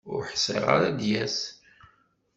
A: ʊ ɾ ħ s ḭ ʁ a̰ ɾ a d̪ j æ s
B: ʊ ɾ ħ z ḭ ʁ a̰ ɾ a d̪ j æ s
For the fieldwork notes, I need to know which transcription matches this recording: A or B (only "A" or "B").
A